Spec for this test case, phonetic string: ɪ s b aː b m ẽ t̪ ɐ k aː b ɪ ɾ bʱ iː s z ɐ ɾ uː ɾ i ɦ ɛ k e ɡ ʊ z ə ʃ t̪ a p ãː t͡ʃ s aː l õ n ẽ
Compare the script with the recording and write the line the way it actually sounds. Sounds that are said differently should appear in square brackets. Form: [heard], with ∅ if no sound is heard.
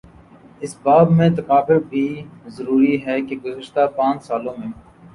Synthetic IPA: ɪ s b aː b m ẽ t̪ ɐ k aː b ɪ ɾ bʱ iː [∅] z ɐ ɾ uː ɾ i ɦ ɛ k e ɡ ʊ z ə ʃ t̪ a p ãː t͡ʃ s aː l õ [m] ẽ